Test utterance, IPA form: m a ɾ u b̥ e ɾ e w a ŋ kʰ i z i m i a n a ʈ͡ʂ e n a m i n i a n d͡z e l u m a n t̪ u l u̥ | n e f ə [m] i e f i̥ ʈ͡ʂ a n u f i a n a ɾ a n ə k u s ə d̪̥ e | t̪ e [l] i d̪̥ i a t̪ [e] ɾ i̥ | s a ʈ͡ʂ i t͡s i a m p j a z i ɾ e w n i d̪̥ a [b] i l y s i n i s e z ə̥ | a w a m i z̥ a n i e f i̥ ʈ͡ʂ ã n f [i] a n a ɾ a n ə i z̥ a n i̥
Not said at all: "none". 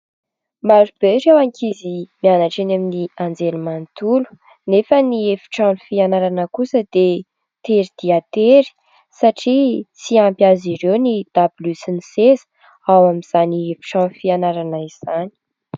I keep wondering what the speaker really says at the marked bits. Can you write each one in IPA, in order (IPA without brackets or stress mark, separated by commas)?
n, ɾ, e, b, i